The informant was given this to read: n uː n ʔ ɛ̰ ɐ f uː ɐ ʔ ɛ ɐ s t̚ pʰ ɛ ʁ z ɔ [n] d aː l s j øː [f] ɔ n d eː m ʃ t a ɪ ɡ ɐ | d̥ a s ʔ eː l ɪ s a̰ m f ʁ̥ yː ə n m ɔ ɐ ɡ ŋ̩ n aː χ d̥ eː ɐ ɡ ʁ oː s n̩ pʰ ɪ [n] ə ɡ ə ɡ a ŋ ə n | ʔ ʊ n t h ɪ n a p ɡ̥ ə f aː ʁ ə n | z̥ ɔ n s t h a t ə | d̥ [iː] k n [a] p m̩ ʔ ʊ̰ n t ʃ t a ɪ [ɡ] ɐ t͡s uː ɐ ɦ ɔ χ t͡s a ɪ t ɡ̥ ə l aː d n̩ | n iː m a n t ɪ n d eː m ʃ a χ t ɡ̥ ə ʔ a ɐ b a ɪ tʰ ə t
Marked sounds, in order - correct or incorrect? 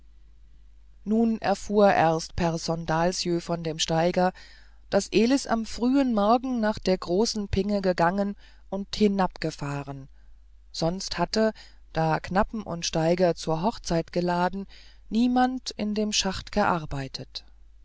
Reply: correct, correct, incorrect: ŋ, incorrect: aː, correct, correct

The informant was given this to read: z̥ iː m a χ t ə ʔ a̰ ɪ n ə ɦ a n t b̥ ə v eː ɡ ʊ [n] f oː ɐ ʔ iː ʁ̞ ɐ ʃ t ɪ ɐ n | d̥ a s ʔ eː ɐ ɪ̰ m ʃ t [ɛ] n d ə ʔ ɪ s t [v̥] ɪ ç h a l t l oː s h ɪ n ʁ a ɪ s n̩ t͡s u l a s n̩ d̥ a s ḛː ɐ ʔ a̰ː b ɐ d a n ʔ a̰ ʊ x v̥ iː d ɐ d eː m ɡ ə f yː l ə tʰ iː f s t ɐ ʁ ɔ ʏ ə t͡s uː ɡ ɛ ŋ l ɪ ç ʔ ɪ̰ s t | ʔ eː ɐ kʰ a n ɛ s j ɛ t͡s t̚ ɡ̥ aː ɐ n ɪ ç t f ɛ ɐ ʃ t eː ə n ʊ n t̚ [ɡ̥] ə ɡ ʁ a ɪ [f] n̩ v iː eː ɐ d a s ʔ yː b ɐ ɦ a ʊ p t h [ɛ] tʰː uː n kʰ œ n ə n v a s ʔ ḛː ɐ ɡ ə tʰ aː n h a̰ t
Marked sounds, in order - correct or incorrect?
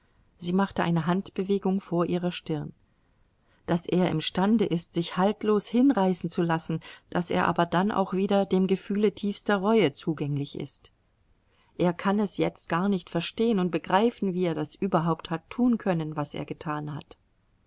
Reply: incorrect: ŋ, incorrect: a, incorrect: z̥, incorrect: b̥, correct, incorrect: a

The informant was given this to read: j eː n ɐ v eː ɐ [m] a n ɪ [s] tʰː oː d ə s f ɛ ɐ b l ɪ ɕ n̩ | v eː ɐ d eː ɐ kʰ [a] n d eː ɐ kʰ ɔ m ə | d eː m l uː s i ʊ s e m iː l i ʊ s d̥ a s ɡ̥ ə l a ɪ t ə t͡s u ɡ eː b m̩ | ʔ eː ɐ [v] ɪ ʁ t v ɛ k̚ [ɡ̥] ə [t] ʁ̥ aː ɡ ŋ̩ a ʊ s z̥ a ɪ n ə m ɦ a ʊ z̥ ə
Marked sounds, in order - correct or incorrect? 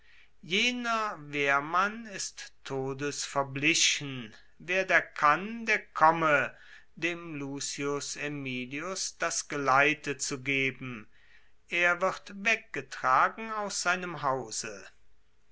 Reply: correct, correct, correct, correct, correct, correct

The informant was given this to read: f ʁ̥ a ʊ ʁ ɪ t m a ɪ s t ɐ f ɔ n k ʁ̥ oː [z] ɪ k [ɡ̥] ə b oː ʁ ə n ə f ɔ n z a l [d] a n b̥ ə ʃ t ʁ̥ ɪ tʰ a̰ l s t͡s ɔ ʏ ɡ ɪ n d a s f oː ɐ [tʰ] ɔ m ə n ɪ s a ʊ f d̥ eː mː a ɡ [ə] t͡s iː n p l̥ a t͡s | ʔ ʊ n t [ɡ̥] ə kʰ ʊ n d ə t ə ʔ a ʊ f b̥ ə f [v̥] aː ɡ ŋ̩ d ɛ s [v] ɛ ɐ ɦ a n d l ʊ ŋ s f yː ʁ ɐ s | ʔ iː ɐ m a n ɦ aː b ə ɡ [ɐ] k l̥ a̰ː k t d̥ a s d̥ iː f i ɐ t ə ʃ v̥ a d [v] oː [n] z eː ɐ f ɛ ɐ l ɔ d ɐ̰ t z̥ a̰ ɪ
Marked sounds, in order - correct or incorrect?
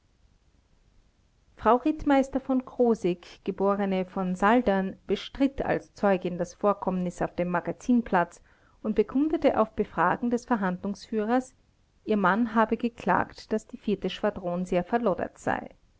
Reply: correct, correct, correct, incorrect: kʰ, incorrect: a, incorrect: b̥, incorrect: ʁ̥, incorrect: f, incorrect: ə, incorrect: ʁ, correct

